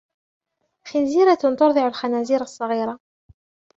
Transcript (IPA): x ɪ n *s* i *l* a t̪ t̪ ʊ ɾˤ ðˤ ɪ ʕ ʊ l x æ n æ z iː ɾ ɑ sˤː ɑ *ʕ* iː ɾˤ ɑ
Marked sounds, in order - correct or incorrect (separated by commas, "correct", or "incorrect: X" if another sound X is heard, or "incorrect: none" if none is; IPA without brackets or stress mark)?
incorrect: z, incorrect: ɾ, incorrect: ɣ